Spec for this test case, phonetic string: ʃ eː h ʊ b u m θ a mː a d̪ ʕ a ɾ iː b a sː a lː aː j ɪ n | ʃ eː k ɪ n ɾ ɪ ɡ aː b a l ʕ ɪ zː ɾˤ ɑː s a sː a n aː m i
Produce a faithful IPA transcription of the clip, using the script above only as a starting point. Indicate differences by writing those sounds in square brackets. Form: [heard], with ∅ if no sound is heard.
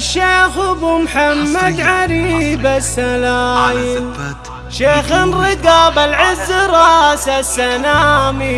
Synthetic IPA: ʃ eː [x] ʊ b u m [ħ] a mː a d̪ ʕ a ɾ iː b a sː a [l] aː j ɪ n | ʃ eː [x] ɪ n ɾ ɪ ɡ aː b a l ʕ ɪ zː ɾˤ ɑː s a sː a n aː m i